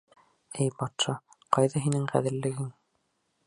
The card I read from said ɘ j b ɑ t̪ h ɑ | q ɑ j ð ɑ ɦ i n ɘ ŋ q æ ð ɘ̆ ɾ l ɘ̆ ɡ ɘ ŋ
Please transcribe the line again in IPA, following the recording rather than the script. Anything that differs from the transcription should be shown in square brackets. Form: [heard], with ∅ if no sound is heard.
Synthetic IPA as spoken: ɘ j b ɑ t̪ [ʃ] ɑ | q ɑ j ð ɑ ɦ i n ɘ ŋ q æ ð ɘ̆ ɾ l ɘ̆ ɡ ɘ ŋ

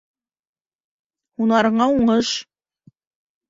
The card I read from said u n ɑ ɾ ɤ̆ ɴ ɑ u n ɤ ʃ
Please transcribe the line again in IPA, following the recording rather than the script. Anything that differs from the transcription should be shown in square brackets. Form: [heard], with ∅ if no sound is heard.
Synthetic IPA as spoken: u n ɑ ɾ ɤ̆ ɴ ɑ u [ɴ] ɤ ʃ

